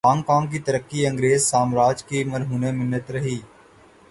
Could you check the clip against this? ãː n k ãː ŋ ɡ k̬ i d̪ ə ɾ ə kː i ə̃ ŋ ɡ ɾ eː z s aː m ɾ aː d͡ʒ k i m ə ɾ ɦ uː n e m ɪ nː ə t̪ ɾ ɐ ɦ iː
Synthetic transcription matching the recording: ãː ŋ k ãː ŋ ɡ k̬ i t̪ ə ɾ ə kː i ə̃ ŋ ɡ ɾ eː z s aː m ɾ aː d͡ʒ k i m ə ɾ ɦ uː n e m ɪ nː ə t̪ ɾ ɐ ɦ iː